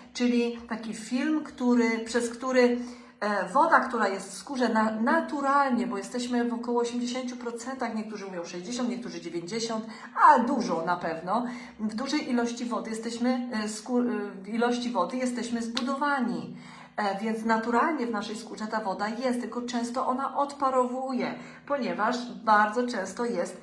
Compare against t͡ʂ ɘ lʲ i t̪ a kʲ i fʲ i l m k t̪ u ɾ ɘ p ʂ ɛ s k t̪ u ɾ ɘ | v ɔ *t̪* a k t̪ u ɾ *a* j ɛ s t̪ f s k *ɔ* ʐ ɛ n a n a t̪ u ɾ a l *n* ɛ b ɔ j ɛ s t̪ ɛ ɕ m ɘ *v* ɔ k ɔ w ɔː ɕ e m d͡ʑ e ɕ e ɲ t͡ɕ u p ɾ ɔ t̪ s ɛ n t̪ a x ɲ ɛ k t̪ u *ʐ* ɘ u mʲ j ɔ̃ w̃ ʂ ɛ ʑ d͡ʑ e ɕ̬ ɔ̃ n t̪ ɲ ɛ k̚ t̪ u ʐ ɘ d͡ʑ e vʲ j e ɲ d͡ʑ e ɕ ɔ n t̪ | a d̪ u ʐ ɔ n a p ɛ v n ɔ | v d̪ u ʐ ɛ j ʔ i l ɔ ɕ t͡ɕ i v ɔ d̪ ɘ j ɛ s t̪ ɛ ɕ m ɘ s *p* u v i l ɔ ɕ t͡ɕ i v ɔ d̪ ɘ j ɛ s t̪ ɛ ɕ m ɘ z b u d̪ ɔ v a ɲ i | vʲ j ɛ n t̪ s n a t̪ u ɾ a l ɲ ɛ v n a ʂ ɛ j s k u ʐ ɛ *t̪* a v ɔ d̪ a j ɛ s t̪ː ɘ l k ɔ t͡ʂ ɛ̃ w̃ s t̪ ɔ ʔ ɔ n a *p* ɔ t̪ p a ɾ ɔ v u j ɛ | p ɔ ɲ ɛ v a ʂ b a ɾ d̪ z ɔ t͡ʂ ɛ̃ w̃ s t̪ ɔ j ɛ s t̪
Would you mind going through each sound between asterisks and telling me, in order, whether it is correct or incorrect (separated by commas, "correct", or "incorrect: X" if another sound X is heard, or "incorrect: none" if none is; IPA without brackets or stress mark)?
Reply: incorrect: d̪, correct, incorrect: u, incorrect: ɲ, correct, correct, incorrect: k, correct, incorrect: ʔ